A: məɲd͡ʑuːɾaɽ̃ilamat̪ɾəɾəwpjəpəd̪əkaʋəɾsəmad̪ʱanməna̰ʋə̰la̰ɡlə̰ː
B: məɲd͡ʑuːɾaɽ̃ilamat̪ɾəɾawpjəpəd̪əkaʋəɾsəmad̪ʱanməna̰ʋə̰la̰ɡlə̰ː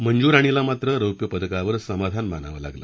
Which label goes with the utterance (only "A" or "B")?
A